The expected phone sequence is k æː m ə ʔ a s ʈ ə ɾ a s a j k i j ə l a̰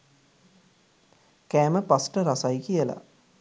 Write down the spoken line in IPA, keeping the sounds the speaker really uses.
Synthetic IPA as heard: k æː m ə p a s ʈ ə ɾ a s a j k i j ə l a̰